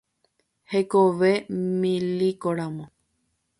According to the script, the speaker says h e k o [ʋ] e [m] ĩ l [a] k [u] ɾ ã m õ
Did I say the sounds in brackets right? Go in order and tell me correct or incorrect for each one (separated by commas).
correct, correct, incorrect, incorrect